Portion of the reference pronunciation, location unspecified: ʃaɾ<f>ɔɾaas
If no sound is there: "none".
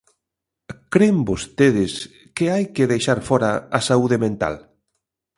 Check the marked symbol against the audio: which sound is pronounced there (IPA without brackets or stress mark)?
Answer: f